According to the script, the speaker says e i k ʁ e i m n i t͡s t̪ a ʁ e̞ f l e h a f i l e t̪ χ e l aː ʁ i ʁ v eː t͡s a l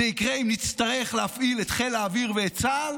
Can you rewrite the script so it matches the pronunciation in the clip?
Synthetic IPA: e i k ʁ e i m n i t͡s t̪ a ʁ e̞ χ l e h a f i l e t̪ χ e l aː v i ʁ v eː t͡s a l